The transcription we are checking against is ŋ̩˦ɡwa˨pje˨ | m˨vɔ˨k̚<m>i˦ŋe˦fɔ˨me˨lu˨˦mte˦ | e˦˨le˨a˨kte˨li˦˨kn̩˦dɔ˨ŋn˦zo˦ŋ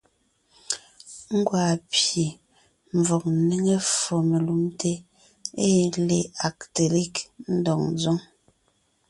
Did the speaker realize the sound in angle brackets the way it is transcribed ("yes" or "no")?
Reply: no